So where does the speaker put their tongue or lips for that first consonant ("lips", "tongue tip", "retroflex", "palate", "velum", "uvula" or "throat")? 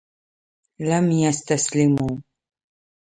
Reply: tongue tip